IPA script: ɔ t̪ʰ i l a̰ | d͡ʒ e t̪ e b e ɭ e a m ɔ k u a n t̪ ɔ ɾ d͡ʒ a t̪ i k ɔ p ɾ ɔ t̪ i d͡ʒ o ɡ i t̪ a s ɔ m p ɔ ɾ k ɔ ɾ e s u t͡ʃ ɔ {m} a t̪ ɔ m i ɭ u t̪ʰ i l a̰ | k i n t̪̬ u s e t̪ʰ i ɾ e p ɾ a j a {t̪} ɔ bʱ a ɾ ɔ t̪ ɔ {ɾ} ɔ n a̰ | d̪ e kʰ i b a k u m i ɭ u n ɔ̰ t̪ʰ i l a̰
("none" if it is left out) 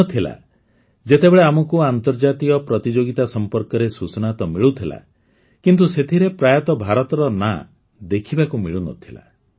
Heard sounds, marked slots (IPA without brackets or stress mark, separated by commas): n, t̪, ɾ